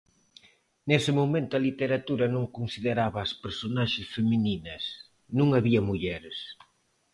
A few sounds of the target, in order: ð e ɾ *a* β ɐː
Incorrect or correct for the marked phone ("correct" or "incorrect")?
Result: correct